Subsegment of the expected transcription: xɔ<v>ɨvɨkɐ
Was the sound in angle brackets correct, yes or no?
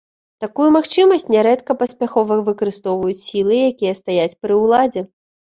yes